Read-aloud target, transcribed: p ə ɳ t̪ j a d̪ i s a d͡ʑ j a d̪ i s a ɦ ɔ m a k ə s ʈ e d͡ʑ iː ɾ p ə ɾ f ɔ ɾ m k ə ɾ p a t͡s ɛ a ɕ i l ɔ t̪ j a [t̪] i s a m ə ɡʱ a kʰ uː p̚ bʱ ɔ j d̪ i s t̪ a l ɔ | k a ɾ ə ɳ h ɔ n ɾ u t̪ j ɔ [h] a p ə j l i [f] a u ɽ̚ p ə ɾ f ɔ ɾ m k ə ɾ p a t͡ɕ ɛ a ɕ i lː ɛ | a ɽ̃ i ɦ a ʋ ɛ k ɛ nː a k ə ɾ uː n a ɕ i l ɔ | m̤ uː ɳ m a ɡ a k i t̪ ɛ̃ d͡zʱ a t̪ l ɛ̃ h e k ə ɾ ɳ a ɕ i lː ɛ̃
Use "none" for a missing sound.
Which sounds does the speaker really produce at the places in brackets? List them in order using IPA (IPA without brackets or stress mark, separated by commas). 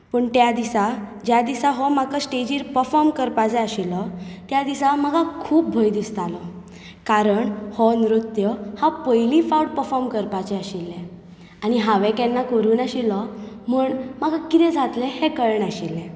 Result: d̪, h, f